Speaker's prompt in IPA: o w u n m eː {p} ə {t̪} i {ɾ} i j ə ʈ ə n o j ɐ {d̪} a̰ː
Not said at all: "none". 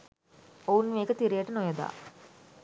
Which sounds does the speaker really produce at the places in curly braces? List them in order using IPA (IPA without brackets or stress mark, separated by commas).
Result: k, t̪, ɾ, d̪